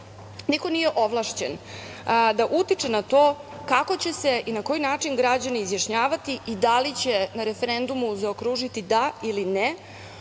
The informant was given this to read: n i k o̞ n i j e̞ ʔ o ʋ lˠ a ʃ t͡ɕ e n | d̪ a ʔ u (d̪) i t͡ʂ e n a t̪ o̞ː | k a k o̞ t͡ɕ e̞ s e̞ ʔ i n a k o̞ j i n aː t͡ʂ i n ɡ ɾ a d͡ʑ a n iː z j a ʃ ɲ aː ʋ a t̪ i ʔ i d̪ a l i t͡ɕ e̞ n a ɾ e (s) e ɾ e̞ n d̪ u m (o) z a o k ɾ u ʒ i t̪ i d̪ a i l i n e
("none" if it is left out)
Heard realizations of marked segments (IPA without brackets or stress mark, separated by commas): t̪, f, u